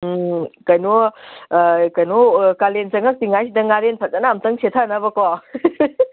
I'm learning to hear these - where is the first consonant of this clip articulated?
velum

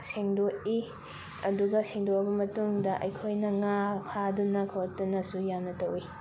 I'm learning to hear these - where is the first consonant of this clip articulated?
tongue tip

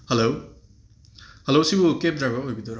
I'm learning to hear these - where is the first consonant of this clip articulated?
throat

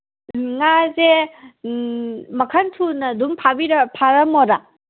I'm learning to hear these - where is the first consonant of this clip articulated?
velum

